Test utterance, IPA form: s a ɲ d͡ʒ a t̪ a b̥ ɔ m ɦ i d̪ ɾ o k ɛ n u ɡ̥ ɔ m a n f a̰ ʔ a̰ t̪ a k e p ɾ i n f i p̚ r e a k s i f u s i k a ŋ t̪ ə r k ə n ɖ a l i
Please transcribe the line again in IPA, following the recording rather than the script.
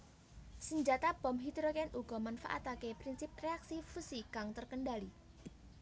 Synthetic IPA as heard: s ə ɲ d͡ʒ a t̪ a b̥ ɔ m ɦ i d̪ ɾ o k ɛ n u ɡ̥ ɔ m a n f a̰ ʔ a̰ t̪ a k e p ɾ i n s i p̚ r e a k s i f u s i k a ŋ t̪ ə r k ə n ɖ a l i

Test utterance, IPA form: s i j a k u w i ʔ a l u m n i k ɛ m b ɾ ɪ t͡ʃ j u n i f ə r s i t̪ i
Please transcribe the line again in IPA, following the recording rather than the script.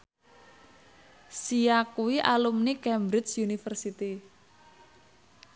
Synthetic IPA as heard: s i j a k u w i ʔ a l u m n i k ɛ m b ɾ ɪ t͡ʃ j u n i f ə r s i t̪ i

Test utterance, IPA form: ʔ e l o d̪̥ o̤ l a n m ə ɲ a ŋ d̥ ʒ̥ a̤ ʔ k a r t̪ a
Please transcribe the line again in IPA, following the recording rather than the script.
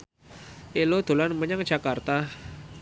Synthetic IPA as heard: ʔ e l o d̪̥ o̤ l a n m ə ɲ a ŋ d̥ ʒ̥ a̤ k a r t̪ a

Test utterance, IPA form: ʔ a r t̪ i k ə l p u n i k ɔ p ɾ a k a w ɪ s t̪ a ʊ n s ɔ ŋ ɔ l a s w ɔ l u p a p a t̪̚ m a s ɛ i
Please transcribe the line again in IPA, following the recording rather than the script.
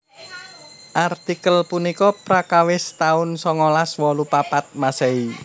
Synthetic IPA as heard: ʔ a r t̪ i k ə l p u n i k ɔ p ɾ a k a w ɪ s t̪ a ʊ n s ɔ ŋ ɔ l a s w ɔ l u p a p a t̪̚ m a s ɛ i

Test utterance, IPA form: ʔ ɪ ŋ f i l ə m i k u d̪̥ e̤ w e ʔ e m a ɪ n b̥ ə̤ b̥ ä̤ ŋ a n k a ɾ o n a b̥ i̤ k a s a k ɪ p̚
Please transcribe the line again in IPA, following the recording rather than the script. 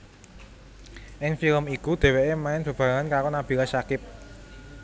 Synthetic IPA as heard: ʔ ɪ ŋ f i l ə m i k u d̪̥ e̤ w e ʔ e m a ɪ n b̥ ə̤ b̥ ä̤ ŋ a n k a ɾ o n a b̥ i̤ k a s a k ɪ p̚

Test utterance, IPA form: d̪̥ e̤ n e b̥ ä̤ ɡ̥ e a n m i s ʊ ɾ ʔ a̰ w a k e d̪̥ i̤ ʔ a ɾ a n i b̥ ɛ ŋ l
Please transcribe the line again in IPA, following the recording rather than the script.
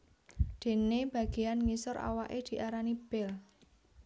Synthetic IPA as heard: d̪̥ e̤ n e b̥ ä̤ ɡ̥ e a n ŋ i s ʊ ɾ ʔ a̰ w a ʔ e d̪̥ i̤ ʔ a ɾ a n i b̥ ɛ l

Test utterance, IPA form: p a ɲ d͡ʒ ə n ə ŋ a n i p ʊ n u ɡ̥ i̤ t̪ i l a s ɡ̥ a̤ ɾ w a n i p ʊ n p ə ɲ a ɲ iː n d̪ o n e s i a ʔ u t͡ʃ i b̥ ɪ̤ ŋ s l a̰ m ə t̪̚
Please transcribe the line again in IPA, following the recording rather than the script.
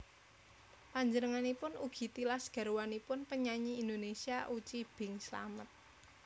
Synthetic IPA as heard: p a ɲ d͡ʒ ə n ə ŋ a n i p ʊ n u ɡ̥ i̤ t̪ i l a s ɡ̥ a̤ ɾ w a n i p ʊ n p ə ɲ a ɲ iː n d̪ o n e s i a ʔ u t͡ʃ i b̥ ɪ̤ ŋ s l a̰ m ə t̪̚

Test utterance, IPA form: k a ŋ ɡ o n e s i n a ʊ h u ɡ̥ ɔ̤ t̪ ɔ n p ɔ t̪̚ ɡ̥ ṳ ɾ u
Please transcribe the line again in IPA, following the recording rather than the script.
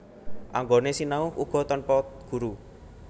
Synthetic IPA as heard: ʔ a ŋ ɡ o n e s i n a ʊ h u ɡ̥ ɔ̤ t̪ ɔ n p ɔ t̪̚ ɡ̥ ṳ ɾ u

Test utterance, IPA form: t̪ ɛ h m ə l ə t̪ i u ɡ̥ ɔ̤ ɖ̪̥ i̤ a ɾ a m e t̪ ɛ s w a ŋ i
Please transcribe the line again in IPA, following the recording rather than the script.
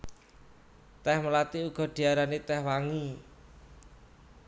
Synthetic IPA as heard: t̪ ɛ h m ə l a t̪ i u ɡ̥ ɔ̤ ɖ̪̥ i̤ a ɾ a n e t̪ ɛ h w a ŋ i

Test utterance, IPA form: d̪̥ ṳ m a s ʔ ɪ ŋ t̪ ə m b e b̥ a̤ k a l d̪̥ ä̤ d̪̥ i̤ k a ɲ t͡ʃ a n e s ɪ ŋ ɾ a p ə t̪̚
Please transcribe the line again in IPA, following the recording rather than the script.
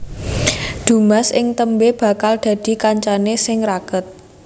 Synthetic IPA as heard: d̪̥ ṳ m a s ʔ ɪ ŋ t̪ ə m b e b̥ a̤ k a l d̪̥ ä̤ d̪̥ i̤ k a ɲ t͡ʃ a n e s ɪ ŋ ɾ a k ə t̪̚

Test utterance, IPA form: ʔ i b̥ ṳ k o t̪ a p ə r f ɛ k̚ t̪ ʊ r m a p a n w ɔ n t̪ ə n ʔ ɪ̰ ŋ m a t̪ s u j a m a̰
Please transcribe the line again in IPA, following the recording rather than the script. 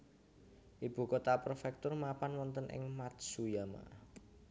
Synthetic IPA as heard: ʔ i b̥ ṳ k o t̪ a p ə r f ɛ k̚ t̪ ʊ r m a p a n w ɔ n t̪ ə n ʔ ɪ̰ ŋ m a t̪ s u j a m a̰

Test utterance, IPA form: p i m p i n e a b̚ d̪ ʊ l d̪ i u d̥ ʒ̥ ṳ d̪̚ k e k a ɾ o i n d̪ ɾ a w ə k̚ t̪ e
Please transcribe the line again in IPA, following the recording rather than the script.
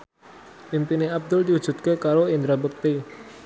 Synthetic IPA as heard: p i m p i n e a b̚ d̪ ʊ l d̪ i u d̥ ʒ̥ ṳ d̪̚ k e k a ɾ o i n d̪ ɾ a b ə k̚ t̪ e

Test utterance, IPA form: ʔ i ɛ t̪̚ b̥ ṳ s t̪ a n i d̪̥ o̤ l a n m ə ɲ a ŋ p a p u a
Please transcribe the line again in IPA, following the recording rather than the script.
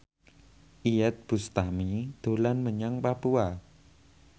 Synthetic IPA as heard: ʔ i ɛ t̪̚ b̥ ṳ s t̪ a m i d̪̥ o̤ l a n m ə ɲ a ŋ p a p u a

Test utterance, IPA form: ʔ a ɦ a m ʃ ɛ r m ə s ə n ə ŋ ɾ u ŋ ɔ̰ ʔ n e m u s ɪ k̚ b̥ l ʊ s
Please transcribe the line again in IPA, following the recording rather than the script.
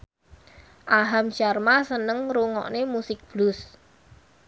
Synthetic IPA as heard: ʔ a ɦ a m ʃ a r m a s ə n ə ŋ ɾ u ŋ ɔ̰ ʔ n e m u s ɪ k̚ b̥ l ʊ s

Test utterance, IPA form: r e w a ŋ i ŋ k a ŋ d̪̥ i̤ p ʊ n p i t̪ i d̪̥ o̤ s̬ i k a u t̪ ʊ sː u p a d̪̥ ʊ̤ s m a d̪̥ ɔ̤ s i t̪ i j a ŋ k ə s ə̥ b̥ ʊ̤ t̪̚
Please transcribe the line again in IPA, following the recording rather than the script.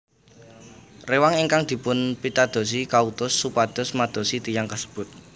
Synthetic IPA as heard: r e w a ŋ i ŋ k a ŋ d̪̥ i̤ p ʊ n p i t̪ a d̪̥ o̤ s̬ i k a u t̪ ʊ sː u p a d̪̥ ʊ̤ s m a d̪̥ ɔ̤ s i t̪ i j a ŋ k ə s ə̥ b̥ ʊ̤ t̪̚

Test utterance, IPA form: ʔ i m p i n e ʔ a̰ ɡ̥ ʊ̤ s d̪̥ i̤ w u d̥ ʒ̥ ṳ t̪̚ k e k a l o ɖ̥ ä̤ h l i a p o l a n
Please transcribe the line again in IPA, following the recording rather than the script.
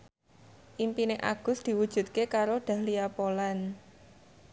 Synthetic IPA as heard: ʔ i m p i n e ʔ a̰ ɡ̥ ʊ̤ s d̪̥ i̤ w u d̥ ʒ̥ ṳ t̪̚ k e k a ɾ o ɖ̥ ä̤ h l i a p o l a n

